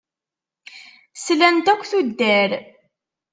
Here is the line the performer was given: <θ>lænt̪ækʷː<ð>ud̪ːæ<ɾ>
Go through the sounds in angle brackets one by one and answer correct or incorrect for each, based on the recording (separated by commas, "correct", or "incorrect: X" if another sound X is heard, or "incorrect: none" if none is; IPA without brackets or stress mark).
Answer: incorrect: s, incorrect: θ, correct